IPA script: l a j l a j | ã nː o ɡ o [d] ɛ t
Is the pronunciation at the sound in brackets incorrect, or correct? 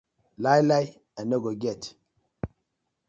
incorrect: ɡ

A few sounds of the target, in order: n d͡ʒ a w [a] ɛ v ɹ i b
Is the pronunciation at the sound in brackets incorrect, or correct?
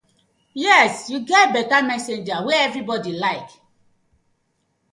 incorrect: e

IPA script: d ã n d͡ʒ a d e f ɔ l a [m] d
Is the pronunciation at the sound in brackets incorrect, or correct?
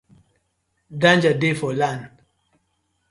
incorrect: n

